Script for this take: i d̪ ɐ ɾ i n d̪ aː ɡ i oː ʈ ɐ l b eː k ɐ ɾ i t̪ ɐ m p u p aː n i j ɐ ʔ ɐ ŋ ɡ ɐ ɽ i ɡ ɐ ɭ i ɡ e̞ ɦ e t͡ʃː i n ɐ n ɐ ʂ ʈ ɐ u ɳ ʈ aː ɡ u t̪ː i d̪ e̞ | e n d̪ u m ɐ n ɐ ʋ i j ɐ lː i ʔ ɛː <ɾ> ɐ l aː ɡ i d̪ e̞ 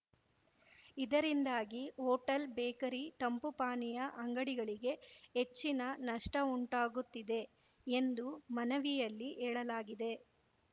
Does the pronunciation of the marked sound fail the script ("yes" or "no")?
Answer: yes